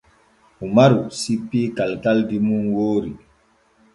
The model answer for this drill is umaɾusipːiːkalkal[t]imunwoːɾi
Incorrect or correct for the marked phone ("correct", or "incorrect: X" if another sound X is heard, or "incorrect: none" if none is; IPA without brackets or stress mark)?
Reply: incorrect: d